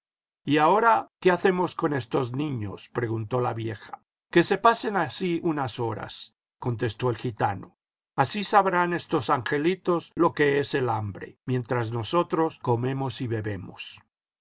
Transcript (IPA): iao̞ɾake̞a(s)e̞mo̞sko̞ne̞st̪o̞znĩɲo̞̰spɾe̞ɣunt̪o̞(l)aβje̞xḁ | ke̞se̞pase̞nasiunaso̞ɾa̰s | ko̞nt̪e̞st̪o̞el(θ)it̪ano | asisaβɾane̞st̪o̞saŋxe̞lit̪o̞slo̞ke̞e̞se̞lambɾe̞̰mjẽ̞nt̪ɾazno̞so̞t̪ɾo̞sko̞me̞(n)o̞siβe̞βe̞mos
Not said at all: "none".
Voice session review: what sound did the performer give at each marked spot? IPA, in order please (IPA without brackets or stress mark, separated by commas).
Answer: θ, l, x, m